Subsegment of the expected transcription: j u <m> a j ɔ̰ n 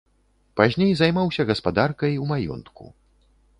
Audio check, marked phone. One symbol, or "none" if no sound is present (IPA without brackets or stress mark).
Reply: m